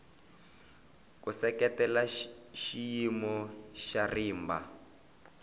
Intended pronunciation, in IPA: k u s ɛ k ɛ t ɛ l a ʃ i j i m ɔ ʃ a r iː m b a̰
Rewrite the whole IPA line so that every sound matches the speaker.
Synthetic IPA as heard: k u s ɛ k ɛ t ɛ l a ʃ i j i m ɔ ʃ a r iː m b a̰

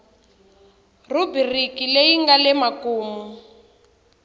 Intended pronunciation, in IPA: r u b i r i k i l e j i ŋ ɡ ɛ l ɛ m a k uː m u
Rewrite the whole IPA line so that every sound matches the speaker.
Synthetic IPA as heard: r u b i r i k i l e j i ŋ ɡ a l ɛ m a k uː m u

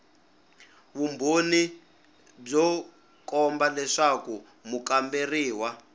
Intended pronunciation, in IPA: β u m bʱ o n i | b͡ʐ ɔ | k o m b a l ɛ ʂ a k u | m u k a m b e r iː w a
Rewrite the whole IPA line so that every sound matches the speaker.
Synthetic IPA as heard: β u m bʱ o n i | b͡ʐ ɔ | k ɔ m b a l ɛ ʂ a k u | m u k a m b e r iː w a

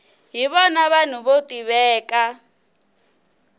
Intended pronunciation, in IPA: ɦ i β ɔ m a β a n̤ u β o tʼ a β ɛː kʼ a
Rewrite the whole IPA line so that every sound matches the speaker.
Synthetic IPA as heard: ɦ i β ɔ n a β a n̤ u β o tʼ i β ɛː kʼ a

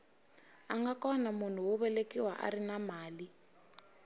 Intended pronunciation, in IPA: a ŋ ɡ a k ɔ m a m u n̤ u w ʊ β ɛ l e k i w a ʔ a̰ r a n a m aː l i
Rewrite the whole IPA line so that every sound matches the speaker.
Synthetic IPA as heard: a ŋ ɡ a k ɔ n a m u n̤ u w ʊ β ɛ l e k i w a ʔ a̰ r i n a m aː l i

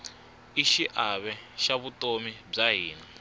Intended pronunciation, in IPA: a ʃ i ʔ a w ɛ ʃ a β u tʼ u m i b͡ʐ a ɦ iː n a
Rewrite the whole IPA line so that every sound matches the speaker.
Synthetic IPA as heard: i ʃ i ʔ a β ɛ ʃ a β u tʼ o m i b͡ʐ a ɦ iː n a

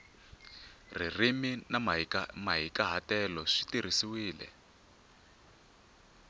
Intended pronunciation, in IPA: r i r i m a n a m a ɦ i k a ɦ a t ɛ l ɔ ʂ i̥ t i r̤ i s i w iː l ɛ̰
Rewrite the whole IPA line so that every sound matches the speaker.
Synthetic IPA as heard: r i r i m i n a m a ɦ i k a ɦ a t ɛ l ɔ ʂ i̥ t i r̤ i s i w iː l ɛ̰

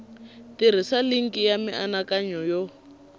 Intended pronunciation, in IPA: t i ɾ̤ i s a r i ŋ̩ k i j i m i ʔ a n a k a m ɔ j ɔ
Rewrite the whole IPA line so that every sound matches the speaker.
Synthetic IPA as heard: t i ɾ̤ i s a l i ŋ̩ k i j a m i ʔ a n a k a ɲ ɔ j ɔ

